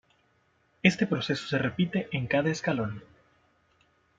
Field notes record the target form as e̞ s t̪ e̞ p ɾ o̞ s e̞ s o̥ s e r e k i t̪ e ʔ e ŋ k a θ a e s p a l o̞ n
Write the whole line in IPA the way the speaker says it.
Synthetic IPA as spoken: e̞ s t̪ e̞ p ɾ o̞ s e̞ s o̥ s e r e p i t̪ e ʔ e ŋ k a ð a e s k a l o̞ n

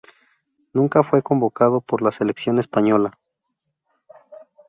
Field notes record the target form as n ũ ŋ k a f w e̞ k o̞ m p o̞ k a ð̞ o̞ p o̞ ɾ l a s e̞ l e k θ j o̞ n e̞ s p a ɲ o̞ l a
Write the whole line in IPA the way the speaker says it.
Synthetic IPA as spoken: n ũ ŋ k a f w e̞ k o̞ m b o̞ k a ð̞ o̞ p o̞ ɾ l a s e̞ l e k s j o̞ n e̞ s p a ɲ o̞ l a

